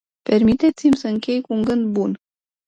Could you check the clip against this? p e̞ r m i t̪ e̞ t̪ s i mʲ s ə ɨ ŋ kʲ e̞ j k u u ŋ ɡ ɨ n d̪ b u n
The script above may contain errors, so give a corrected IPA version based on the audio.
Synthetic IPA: p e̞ r m i t̪ e̞ t̪ s i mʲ s ə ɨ ŋ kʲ e̞ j k u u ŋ ɡ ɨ n d̪ b u n